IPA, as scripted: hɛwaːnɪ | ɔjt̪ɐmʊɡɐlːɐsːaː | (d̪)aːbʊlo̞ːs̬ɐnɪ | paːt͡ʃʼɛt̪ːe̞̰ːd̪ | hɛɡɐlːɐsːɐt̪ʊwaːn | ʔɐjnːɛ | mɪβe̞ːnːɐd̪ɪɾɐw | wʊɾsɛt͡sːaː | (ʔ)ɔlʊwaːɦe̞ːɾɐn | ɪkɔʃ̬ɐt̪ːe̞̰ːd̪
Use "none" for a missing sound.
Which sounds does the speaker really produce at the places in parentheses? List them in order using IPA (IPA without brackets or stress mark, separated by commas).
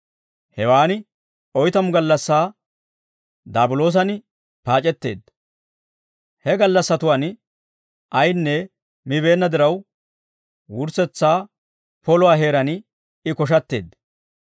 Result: d̪, p